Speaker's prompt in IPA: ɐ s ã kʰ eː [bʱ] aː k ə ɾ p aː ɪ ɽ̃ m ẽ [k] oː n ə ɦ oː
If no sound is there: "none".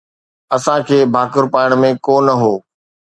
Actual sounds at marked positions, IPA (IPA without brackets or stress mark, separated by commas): bʱ, k